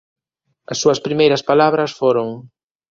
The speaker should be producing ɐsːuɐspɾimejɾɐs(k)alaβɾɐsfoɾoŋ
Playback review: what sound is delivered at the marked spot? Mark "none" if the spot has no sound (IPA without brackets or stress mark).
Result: p